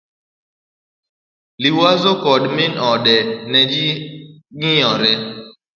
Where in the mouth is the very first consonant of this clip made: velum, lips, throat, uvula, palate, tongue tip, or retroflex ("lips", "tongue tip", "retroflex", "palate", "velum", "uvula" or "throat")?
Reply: tongue tip